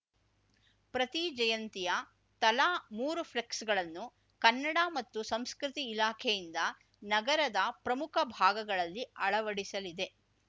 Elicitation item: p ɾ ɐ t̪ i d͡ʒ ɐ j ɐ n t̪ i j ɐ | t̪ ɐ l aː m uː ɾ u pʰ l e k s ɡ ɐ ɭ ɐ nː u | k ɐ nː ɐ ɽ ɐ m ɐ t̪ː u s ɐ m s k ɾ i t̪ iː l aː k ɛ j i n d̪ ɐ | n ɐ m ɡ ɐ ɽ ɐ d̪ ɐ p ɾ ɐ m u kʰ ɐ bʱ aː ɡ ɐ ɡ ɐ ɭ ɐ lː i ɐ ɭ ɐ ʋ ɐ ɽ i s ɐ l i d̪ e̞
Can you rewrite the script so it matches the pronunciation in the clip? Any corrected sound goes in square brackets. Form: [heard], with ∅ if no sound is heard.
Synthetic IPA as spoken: p ɾ ɐ t̪ i d͡ʒ ɐ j ɐ n t̪ i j ɐ | t̪ ɐ l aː m uː ɾ u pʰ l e k s ɡ ɐ ɭ ɐ nː u | k ɐ nː ɐ ɽ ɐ m ɐ t̪ː u s ɐ m s k ɾ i t̪ iː l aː [kʰ] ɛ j i n d̪ ɐ | n ɐ [∅] ɡ ɐ [ɾ] ɐ d̪ ɐ p ɾ ɐ m u kʰ ɐ bʱ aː ɡ ɐ ɡ ɐ ɭ ɐ lː i ɐ ɭ ɐ ʋ ɐ ɽ i s ɐ l i d̪ e̞